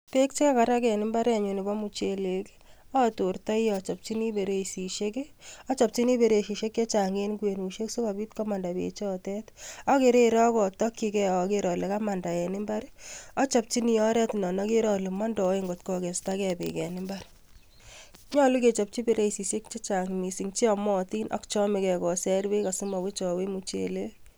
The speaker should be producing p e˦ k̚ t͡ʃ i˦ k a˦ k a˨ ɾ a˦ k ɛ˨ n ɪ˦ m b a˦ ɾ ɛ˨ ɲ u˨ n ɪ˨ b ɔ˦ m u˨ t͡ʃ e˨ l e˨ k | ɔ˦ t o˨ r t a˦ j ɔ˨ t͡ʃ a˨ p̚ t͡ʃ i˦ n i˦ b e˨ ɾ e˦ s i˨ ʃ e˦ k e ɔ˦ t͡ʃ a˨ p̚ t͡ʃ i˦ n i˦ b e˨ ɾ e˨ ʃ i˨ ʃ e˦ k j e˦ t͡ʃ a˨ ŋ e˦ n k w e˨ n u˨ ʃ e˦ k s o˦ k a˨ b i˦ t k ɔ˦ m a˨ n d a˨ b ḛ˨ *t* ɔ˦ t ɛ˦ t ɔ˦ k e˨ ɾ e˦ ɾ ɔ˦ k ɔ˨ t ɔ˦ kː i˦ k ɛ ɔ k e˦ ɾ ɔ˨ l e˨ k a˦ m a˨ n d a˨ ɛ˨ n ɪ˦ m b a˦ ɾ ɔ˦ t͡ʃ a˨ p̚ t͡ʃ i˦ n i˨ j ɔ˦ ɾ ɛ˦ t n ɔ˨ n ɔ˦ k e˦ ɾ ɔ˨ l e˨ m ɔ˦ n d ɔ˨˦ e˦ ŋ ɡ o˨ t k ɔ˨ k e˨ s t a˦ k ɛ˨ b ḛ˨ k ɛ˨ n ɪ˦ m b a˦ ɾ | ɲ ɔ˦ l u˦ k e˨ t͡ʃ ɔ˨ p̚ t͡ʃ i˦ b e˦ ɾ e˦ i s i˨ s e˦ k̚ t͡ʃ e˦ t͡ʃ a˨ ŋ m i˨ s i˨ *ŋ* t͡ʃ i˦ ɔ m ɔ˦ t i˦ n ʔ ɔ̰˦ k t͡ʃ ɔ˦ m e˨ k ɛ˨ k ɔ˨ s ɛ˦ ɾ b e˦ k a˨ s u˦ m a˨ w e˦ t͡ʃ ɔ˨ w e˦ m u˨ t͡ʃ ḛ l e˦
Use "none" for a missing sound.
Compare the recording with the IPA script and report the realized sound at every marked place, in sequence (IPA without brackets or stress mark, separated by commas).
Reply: t͡ʃ, ŋ